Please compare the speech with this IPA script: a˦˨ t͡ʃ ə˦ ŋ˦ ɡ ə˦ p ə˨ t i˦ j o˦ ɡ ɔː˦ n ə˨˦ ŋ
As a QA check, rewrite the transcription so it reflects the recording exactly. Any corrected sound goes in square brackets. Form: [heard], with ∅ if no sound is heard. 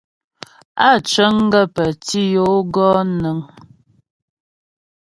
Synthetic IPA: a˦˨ t͡ʃ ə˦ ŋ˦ ɡ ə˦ p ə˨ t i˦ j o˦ ɡ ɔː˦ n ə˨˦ ŋ